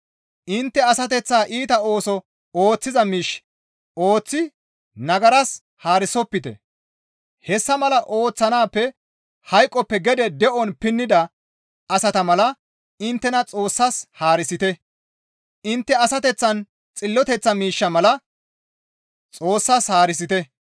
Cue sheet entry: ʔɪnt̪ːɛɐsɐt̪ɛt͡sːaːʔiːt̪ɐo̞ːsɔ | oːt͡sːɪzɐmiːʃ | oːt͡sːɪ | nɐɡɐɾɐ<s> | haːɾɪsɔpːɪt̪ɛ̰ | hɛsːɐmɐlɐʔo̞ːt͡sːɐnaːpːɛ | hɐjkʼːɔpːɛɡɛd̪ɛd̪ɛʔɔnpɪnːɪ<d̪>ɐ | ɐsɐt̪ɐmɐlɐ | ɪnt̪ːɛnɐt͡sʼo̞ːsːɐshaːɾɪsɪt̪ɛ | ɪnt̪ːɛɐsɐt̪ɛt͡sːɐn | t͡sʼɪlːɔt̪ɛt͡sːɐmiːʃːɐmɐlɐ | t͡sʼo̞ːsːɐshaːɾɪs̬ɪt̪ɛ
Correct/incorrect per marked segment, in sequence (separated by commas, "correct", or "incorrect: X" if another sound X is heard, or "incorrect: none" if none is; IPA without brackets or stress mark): correct, correct